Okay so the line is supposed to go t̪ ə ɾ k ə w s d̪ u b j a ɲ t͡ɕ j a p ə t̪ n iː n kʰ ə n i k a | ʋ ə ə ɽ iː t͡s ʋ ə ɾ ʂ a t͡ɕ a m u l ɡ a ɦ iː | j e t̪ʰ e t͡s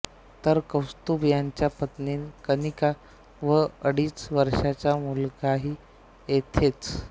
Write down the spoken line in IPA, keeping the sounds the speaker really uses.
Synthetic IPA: t̪ ə ɾ k ə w s t̪ u b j a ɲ t͡ɕ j a p ə t̪ n iː n k ə n i k a | ʋ ə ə ɽ iː t͡s ʋ ə ɾ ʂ a t͡ɕ a m u l ɡ a ɦ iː | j e t̪ʰ e t͡s